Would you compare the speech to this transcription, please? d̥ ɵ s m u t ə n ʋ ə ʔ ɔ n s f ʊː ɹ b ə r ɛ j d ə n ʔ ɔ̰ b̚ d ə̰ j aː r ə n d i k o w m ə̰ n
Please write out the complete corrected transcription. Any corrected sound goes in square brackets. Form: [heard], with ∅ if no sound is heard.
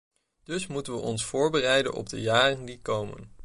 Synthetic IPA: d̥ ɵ s m u t ə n ʋ ə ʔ ɔ n s f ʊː ɹ b ə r ɛ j d ə n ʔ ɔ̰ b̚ d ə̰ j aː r ə n d i k o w m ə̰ n

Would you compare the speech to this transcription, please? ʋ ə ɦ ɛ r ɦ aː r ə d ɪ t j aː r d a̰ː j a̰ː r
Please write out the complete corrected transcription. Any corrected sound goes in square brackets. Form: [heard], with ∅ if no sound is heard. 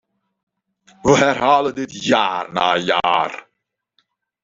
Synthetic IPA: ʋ ə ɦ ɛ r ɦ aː [l] ə d ɪ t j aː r [n] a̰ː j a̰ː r

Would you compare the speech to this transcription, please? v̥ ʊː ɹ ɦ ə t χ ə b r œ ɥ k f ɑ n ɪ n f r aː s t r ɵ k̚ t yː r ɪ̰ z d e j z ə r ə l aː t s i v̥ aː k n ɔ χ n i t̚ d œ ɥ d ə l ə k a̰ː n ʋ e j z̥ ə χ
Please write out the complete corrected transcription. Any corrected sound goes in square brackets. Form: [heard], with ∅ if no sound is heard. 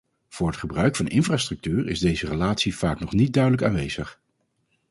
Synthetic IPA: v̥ ʊː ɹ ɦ ə t χ ə b r œ ɥ k f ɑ n ɪ n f r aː s t r ɵ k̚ t yː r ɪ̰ z d e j z ə r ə l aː t s i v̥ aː k n ɔ χ n i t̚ d œ ɥ d ə l ə k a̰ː n ʋ e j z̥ ə χ

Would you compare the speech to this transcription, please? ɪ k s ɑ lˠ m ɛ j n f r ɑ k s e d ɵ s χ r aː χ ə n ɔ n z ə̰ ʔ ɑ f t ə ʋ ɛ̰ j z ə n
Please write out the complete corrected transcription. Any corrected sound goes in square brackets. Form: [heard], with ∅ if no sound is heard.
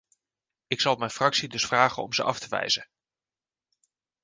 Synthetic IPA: ɪ k s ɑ lˠ m ɛ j n f r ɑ k s [i] d ɵ s [f] r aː χ ə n ɔ [m] z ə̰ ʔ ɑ f t ə ʋ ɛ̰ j z ə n

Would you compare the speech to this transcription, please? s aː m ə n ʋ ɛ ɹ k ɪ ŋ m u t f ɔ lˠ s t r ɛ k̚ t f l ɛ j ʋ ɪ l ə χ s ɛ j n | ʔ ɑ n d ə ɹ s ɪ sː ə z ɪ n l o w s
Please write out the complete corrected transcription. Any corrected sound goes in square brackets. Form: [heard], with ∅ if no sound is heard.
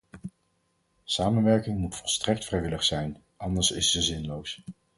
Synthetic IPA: s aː m ə n ʋ ɛ ɹ k ɪ ŋ m u t f ɔ lˠ s t r ɛ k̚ t f [r] ɛ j ʋ ɪ l ə χ s ɛ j n | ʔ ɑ n d ə ɹ s ɪ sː ə z ɪ n l o w s

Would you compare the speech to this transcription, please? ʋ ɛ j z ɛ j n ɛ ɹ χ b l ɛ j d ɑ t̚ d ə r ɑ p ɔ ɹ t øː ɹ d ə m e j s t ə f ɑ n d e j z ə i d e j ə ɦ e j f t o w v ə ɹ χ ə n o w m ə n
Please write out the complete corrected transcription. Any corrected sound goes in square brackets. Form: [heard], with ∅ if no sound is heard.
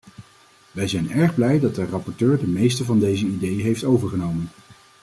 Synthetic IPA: ʋ ɛ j z ɛ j n ɛ ɹ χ b l ɛ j d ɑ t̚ d ə r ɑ p ɔ ɹ t øː ɹ d ə m e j s t ə [v] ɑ n d e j z ə i d e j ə ɦ e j f t o w v ə ɹ χ ə n o w m ə n

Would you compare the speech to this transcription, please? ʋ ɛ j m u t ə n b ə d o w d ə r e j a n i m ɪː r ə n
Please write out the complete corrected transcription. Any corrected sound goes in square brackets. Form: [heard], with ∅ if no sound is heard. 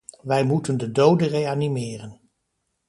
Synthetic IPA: ʋ ɛ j m u t ə n [d] ə d o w d ə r e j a n i m ɪː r ə n

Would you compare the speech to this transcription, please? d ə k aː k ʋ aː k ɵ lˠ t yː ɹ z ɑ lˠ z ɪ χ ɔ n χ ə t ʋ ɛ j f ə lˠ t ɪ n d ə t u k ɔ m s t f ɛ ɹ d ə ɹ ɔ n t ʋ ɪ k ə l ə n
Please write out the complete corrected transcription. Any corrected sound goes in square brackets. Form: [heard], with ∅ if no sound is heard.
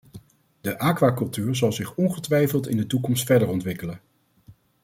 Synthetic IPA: d ə [ʔ] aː k ʋ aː k ɵ lˠ t yː ɹ z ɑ lˠ z ɪ χ ɔ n χ ə t ʋ ɛ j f ə lˠ t ɪ n d ə t u k ɔ m s t f ɛ ɹ d ə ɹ ɔ n t ʋ ɪ k ə l ə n

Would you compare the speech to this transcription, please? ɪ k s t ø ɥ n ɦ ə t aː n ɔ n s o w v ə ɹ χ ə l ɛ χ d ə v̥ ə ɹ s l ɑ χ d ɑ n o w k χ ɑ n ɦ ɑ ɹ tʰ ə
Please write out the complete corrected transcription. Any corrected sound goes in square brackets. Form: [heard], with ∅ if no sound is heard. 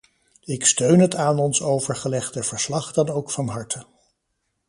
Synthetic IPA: ɪ k s t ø ɥ n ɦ ə t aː n ɔ n s o w v ə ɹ χ ə l ɛ χ d ə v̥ ə ɹ s l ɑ χ d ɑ n o w k [f] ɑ n ɦ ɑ ɹ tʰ ə

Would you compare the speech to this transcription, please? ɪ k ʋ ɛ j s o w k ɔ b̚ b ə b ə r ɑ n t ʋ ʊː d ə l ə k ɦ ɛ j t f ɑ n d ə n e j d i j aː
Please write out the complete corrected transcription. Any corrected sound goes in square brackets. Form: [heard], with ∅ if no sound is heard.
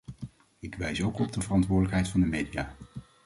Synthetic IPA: ɪ k ʋ ɛ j s o w k ɔ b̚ [d] ə [v] ə r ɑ n t ʋ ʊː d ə l ə k ɦ ɛ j t f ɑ n d ə [m] e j d i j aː

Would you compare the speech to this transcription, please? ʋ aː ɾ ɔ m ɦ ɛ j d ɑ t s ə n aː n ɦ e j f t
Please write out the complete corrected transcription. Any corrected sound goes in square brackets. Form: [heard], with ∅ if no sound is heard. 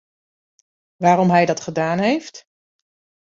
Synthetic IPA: ʋ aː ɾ ɔ m ɦ ɛ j d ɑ t [χ] ə [d] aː n ɦ e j f t

